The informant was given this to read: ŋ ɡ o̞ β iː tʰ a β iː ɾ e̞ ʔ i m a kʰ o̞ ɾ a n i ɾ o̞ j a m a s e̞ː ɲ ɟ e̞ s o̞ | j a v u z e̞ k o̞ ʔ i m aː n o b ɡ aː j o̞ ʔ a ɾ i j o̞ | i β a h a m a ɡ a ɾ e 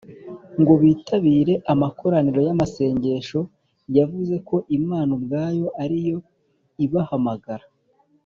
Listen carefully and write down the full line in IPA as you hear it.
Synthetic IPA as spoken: ŋ ɡ o̞ β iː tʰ a β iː ɾ e̞ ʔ a m a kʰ o̞ ɾ a n i ɾ o̞ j a m a s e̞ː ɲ ɟ e̞ ʃ o̞ | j a v u z e̞ k o̞ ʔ i m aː n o b ɡ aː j o̞ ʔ a ɾ i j o̞ | i β a h a m a ɡ a ɾ a